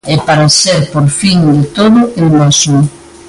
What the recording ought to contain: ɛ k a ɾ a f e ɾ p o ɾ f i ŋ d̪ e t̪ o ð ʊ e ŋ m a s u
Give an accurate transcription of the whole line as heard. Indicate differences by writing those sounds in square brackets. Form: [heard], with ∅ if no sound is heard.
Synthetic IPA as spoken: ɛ [p] a ɾ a [s] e ɾ p o ɾ f i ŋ d̪ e t̪ o ð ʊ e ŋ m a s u